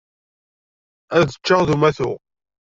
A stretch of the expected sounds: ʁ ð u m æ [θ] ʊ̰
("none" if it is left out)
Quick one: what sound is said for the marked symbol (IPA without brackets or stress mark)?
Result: θ